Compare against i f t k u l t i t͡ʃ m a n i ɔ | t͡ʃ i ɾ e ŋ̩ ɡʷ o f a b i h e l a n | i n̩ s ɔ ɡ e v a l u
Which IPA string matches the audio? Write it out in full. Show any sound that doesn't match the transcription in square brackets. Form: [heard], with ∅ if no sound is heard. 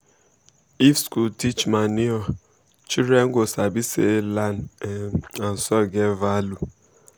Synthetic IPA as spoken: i f [s] k u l t i t͡ʃ m a n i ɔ | t͡ʃ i ɾ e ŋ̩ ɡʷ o [s] a b i [s] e l a n | [a] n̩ s ɔ ɡ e v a l u